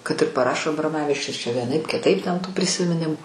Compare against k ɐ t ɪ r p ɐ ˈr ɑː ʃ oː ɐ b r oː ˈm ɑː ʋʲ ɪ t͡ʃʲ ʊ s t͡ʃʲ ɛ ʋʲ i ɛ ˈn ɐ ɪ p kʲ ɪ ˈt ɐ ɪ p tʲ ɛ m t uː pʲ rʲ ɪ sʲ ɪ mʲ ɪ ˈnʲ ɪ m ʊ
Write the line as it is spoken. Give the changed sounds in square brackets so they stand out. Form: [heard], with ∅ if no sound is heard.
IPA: k ɐ t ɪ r p ɐ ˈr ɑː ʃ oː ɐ b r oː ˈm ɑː ʋʲ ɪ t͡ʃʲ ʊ s t͡ʃʲ ɛ ʋʲ i ɛ ˈn ɐ ɪ p kʲ ɪ ˈt ɐ ɪ p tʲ ɛ [n] t uː pʲ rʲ ɪ sʲ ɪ mʲ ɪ ˈnʲ ɪ m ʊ